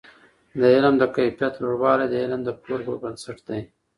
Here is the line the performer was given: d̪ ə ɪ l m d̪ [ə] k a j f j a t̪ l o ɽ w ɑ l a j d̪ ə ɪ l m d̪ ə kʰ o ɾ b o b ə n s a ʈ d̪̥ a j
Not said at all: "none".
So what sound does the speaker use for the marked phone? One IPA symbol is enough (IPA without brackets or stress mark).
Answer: ə